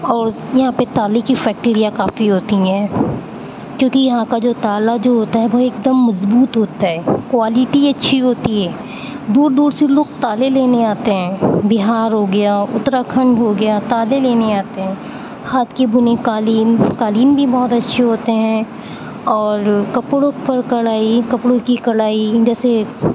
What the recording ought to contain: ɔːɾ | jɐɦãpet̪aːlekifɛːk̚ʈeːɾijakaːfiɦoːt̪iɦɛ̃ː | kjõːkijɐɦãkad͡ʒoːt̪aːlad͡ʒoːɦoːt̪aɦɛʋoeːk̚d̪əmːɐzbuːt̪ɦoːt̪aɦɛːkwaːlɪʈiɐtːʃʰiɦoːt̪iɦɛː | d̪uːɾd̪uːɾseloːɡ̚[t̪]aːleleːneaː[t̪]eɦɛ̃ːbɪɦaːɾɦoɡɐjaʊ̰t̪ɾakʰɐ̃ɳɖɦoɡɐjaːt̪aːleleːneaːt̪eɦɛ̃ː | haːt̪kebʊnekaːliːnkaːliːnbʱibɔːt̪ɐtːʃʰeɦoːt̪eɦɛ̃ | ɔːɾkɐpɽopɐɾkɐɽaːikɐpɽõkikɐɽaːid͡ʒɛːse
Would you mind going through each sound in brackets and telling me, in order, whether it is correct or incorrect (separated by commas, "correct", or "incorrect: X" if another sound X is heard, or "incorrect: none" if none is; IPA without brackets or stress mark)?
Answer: correct, correct